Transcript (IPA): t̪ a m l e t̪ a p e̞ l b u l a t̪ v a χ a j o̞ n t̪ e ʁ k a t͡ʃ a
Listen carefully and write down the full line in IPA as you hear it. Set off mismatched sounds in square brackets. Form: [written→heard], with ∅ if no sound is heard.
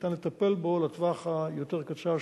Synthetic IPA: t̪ a [m→n] l e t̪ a p e̞ l b [u→o] l a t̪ v a χ a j o̞ [n→∅] t̪ e ʁ k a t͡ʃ a

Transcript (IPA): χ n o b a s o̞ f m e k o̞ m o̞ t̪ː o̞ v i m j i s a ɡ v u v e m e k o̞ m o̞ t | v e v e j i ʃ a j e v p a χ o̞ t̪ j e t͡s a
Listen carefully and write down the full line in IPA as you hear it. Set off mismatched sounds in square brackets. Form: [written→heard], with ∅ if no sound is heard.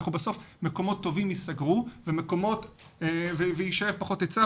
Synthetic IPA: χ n [o→u] b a s o̞ f m e k o̞ m o̞ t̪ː o̞ v i m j i s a ɡ [v→ʁ] u v e m e k o̞ m o̞ t | v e v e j i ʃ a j e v p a χ o̞ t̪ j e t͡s a

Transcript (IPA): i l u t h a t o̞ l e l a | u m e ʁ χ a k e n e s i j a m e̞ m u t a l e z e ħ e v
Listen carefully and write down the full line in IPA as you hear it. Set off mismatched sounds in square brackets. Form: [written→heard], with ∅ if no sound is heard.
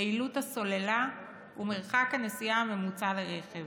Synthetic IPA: i l u t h a [t→s] o̞ l e l a | u m e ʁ χ a k [e→a] n e s i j a m e̞ m u [t→t͡s] a l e [z→ʁ] e [ħ→χ] e v

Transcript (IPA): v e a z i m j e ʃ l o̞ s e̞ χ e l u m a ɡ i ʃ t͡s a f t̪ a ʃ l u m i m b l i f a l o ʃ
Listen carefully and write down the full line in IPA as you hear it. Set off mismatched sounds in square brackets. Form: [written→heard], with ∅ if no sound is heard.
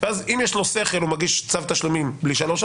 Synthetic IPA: v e a z i m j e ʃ l o̞ s e̞ χ e l u m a ɡ i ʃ t͡s a [f→v] t̪ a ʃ l u m i m b l i [f→ʃ] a l o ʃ

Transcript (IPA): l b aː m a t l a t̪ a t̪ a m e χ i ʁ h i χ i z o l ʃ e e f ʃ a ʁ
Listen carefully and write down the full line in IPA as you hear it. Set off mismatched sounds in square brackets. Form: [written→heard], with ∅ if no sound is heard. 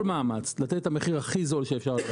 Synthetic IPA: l [b→m] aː m a [t→t͡s] l a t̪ [a→e] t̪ a m e χ i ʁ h [i→a] χ i z o l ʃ e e f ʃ a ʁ

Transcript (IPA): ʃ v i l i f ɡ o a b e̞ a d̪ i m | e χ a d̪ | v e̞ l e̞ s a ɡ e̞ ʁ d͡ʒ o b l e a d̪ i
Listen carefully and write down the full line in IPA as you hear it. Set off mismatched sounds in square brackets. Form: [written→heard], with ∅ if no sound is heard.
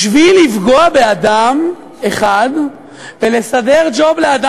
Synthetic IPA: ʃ v i l i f ɡ o a b e̞ a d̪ [i→a] m | e χ a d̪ | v e̞ l e̞ s a [ɡ→d] e̞ ʁ d͡ʒ o b l e a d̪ [i→a]

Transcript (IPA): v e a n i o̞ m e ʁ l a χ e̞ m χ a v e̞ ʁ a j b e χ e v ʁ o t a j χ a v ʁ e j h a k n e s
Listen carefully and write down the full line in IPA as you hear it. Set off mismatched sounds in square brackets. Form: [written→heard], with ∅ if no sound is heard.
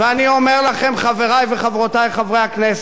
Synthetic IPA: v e a n i o̞ m e ʁ l a χ e̞ m χ a v e̞ ʁ a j [b→v] e χ [e→a] v ʁ o t a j χ a v ʁ e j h a k n e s

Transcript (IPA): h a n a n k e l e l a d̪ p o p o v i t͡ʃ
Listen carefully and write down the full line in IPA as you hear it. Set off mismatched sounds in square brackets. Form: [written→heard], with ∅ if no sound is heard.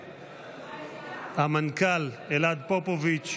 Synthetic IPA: h a [n→m] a n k [e→a] l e l a d̪ p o p o v i t͡ʃ

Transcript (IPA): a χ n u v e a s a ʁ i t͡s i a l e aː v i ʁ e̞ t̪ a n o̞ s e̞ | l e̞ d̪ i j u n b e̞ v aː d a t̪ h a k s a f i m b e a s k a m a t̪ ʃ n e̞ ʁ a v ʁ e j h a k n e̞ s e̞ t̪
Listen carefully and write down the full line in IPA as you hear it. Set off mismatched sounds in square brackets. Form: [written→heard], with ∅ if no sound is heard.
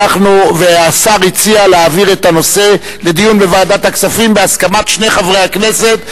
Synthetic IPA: a χ n u v e a s a ʁ i t͡s i a l e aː v i ʁ e̞ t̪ a n o̞ s e̞ | l e̞ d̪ i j u n b e̞ v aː d a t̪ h a k s a f i m b e a s k a m a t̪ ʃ n e̞ [ʁ→χ] a v ʁ e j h a k n e̞ s e̞ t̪

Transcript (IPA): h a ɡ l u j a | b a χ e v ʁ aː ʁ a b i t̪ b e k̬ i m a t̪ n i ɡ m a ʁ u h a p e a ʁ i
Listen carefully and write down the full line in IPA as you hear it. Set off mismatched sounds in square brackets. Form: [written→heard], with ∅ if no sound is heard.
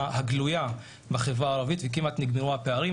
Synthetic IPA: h a ɡ l u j a | b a χ e v ʁ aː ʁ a [b→v] i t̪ [b→v] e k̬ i m a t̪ n i ɡ m [a→e] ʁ u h a p e a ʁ i

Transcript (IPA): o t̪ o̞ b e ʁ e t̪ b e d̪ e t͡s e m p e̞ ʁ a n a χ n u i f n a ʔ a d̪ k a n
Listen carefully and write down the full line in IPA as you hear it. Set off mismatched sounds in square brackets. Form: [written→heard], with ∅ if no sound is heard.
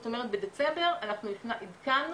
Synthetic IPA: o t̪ o̞ [b→m] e ʁ e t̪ b e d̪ e t͡s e m [p→b] e̞ ʁ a n a χ n u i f n a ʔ [a→i] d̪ k a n

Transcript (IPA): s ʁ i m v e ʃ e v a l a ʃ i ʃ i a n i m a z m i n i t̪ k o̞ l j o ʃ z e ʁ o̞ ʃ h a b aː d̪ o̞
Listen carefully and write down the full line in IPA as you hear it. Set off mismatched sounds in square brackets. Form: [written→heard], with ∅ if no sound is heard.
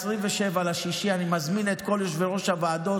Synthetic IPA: s ʁ i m v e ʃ e v a l a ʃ i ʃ i a n i m a z m i n [i→e] t̪ k o̞ l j o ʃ [z→v] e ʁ o̞ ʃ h a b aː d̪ o̞

